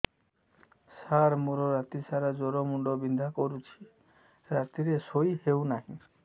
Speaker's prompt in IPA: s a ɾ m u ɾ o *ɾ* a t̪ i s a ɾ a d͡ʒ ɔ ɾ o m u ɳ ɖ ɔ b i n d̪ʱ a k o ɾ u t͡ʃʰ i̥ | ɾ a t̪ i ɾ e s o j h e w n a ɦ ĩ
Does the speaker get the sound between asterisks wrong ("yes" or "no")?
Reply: no